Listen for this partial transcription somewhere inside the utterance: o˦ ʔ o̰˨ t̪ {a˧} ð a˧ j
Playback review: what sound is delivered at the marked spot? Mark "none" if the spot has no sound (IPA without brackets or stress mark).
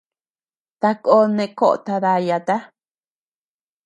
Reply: a˧